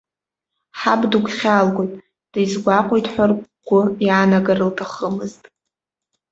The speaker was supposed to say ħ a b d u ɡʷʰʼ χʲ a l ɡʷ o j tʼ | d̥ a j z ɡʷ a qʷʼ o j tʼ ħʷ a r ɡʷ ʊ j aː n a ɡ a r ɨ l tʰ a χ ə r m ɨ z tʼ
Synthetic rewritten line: ħ a b d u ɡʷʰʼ χʲ a l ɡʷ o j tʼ | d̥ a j z ɡʷ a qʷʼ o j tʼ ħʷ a r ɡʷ ʊ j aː n a ɡ a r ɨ l tʰ a χ ə m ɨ z tʼ